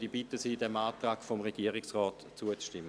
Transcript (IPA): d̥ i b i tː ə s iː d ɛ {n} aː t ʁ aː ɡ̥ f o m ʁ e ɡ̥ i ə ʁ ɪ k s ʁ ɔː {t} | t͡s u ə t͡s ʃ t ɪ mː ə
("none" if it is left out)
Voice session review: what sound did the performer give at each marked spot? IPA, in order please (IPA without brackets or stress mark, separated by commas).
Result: m, t